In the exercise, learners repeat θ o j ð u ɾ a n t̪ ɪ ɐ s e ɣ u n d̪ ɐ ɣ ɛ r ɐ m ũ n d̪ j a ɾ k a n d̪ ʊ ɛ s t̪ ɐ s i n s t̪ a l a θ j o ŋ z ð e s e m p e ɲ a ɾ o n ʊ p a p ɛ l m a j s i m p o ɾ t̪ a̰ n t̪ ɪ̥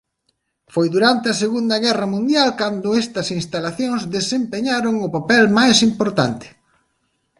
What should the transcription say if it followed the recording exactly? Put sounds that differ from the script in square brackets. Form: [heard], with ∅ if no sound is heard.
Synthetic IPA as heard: [f] o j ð u ɾ a n t̪ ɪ ɐ s e ɣ u n d̪ ɐ ɣ ɛ r ɐ m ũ n d̪ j a [l] k a n d̪ ʊ ɛ s t̪ ɐ s i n s t̪ a l a θ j o ŋ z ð e s e m p e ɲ a ɾ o [ŋ] ʊ p a p ɛ l m a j s i m p o ɾ t̪ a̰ n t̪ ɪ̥

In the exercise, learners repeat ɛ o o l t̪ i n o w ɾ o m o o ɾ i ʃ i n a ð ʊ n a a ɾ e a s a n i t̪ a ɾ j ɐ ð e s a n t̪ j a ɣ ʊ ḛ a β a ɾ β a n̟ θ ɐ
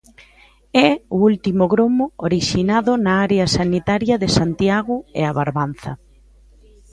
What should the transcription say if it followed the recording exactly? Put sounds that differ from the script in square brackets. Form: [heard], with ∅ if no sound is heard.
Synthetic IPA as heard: ɛ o [u] l t̪ i [m] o [ɣ] ɾ o m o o ɾ i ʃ i n a ð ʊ n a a ɾ e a s a n i t̪ a ɾ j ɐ ð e s a n t̪ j a ɣ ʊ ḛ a β a ɾ β a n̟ θ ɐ

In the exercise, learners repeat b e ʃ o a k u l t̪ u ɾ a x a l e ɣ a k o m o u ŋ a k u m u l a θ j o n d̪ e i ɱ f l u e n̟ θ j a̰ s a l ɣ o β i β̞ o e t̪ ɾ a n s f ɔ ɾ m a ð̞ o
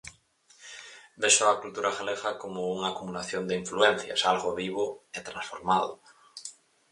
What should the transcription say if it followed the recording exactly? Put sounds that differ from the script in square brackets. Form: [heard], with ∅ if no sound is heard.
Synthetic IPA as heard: b e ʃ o a k u l t̪ u ɾ a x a l e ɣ a k o m o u ŋ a k u m u l a θ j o n d̪ e i ɱ f l u e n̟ θ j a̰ s a l ɣ o β i β̞ o e t̪ ɾ a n s f [o] ɾ m a ð̞ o

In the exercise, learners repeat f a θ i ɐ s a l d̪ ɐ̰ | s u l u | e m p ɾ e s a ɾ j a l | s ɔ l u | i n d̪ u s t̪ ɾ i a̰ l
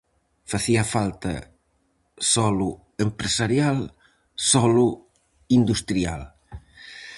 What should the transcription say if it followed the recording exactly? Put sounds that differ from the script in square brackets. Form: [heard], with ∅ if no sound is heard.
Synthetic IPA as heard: f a θ i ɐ [f] a l [t̪] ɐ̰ | s [ɔ] l u | e m p ɾ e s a ɾ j a l | s ɔ l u | i n d̪ u s t̪ ɾ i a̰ l

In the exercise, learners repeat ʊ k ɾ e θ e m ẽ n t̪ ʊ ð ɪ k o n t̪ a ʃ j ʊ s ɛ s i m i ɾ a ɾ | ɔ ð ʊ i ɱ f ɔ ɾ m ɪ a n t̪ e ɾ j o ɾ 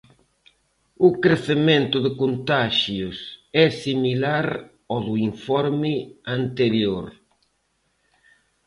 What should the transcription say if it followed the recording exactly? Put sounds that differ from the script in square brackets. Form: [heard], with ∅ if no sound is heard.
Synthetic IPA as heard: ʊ k ɾ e θ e m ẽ n t̪ ʊ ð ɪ k o n t̪ a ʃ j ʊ s ɛ s i m i [l] a ɾ | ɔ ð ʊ i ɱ f ɔ ɾ m ɪ a n t̪ e ɾ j o ɾ

